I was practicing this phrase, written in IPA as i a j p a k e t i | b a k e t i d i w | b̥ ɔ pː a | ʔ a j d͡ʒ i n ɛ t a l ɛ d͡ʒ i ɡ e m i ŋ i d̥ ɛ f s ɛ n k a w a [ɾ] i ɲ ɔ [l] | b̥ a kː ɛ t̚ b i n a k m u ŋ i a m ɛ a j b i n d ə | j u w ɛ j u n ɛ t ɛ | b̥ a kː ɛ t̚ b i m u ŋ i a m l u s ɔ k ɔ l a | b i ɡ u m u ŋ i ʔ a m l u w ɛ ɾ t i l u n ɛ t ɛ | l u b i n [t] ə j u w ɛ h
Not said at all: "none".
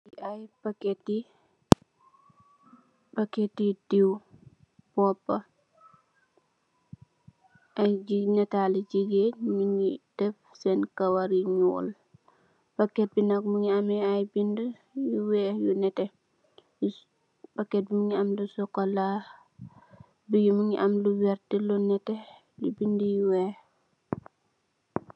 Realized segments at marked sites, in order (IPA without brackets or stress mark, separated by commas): ɾ, l, d